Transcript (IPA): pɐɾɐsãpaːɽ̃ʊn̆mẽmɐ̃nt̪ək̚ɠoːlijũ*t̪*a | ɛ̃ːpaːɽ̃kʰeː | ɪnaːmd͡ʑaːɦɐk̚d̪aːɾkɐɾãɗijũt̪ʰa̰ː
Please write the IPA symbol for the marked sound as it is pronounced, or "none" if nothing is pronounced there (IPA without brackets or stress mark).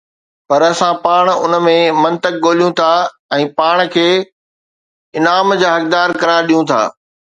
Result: t̪ʰ